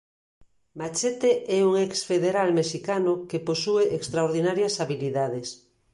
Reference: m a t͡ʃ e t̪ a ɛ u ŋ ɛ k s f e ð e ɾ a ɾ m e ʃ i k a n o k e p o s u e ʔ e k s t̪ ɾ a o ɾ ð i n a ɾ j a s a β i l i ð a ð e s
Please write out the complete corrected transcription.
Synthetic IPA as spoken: m a t͡ʃ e t̪ e ɛ u ŋ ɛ k s f e ð e ɾ a l m e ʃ i k a n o k e p o s u e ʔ e k s t̪ ɾ a o ɾ ð i n a ɾ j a s a β i l i ð a ð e s